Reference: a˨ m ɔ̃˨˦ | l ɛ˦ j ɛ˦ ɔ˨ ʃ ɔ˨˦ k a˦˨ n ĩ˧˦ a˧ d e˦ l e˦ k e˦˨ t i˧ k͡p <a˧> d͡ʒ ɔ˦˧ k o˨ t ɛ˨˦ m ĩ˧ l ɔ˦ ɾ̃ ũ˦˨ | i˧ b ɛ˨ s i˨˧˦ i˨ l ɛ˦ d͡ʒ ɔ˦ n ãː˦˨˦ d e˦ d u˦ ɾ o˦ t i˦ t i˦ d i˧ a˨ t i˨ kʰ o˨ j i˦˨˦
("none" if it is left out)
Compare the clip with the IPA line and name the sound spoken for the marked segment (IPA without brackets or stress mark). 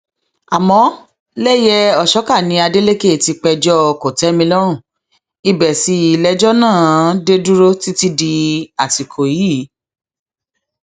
ɛ˧